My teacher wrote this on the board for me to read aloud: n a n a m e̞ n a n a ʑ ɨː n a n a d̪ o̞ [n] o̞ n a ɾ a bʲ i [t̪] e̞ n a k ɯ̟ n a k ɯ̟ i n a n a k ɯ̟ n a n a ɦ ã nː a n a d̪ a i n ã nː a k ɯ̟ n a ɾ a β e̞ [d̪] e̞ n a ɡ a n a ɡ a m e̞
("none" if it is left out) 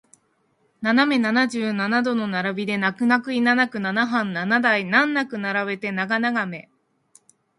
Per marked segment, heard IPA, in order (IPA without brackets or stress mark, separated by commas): n, d̪, t̪